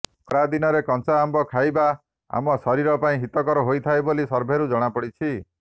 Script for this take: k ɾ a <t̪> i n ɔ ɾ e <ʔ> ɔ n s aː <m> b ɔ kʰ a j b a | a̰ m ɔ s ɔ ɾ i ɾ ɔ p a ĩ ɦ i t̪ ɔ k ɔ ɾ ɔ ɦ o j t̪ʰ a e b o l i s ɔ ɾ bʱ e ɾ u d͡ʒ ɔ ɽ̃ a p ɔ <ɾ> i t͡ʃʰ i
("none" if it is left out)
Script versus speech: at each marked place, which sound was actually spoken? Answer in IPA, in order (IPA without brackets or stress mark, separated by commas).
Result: d̪, k, m, ɽ